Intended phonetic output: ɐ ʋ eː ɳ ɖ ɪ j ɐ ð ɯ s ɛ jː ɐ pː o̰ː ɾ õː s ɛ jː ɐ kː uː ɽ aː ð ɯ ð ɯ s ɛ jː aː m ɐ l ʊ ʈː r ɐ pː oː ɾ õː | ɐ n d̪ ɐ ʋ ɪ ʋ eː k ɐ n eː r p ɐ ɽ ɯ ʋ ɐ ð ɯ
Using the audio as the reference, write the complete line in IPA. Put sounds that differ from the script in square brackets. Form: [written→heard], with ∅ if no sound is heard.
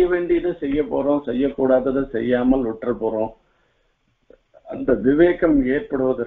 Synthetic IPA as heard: ɐ ʋ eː ɳ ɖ ɪ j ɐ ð ɯ s ɛ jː ɐ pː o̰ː ɾ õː s ɛ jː ɐ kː uː ɽ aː ð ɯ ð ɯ s ɛ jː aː m ɐ l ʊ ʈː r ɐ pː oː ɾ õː | ɐ n d̪ ɐ ʋ ɪ ʋ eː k ɐ [n→m] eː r p ɐ ɽ ɯ ʋ ɐ ð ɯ